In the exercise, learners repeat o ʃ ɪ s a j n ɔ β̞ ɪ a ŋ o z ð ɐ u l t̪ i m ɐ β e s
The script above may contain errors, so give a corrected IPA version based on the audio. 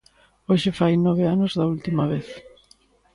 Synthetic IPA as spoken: o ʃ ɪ f a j n ɔ β̞ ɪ a n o z ð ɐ u l t̪ i m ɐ β e θ